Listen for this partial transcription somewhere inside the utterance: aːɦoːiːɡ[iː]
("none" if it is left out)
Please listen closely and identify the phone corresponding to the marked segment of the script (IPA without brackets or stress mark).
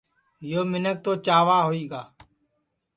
aː